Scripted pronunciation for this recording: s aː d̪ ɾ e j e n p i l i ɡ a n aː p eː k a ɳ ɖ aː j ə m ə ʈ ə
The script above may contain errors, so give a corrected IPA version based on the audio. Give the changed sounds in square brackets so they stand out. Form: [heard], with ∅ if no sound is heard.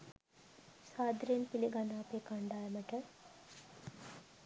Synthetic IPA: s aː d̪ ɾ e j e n p i l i ɡ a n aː p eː k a ɳ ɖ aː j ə m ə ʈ ə